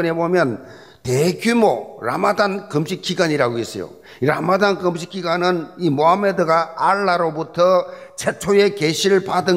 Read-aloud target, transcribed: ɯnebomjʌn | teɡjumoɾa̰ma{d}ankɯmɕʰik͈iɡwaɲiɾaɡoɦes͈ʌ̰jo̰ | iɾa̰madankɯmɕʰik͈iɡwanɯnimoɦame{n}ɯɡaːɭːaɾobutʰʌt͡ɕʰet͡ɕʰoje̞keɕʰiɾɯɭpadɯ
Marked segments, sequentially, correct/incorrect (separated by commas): correct, incorrect